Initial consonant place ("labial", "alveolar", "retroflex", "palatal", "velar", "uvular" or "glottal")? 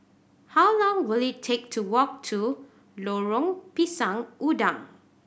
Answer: glottal